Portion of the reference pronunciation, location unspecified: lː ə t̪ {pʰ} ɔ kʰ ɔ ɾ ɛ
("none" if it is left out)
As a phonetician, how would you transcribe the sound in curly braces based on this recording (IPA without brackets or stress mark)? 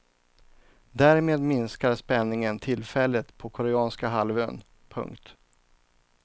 pʰ